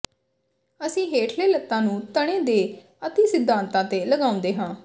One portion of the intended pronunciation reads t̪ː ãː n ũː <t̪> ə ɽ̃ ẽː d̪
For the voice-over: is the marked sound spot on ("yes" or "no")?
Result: yes